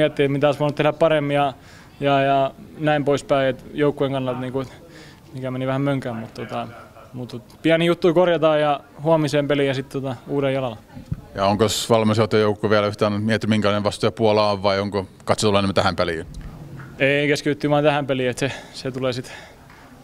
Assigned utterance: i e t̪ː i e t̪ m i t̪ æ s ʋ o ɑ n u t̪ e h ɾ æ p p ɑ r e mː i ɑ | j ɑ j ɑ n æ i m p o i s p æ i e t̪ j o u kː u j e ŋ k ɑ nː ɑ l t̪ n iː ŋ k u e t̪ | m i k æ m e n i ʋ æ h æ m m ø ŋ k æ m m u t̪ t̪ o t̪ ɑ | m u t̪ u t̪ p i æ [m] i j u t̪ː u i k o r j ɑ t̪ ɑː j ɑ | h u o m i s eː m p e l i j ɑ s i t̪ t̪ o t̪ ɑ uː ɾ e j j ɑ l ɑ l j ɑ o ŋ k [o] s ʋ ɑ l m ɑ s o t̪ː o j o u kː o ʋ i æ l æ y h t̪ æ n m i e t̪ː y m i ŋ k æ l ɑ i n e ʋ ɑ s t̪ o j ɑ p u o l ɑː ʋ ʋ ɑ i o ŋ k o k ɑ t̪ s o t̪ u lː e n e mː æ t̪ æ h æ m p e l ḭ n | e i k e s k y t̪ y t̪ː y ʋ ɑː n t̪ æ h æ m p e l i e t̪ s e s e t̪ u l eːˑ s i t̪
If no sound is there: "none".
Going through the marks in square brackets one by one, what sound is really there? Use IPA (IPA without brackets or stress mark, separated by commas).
n, o